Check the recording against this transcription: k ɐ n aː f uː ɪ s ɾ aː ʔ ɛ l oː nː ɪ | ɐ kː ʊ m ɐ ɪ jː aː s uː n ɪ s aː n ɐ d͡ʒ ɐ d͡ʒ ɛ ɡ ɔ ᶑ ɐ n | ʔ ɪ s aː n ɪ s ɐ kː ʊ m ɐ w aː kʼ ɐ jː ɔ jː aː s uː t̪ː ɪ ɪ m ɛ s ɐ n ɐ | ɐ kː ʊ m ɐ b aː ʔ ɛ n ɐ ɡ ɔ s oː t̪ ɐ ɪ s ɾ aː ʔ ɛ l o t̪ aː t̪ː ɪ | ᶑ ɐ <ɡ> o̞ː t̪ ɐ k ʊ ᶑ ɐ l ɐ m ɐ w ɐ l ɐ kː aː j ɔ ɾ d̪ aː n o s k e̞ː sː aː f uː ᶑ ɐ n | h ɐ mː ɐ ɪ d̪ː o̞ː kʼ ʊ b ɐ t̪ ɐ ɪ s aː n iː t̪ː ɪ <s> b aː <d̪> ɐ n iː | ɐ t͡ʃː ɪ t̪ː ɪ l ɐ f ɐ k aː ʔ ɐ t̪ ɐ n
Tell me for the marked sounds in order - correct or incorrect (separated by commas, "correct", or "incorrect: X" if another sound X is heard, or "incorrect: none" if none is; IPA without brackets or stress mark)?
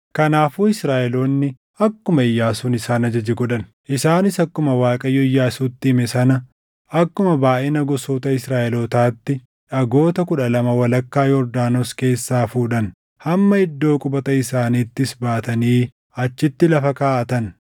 correct, correct, incorrect: t̪